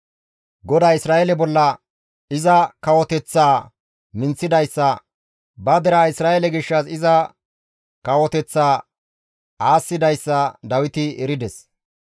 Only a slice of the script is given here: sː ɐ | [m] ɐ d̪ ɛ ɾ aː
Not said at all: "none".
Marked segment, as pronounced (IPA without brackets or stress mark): b